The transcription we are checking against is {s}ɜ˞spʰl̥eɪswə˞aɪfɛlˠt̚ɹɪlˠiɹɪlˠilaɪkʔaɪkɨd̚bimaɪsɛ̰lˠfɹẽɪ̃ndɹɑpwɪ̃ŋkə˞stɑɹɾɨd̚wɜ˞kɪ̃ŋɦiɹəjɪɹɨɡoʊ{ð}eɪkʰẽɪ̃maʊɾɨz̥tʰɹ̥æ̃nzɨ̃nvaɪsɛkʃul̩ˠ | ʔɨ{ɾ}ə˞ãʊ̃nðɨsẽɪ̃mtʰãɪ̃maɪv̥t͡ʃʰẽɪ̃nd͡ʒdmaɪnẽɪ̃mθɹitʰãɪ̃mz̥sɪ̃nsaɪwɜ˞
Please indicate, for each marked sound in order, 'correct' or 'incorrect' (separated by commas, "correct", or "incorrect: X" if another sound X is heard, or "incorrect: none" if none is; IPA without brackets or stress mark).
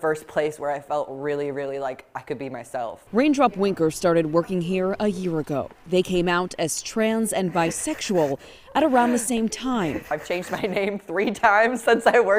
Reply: incorrect: f, correct, correct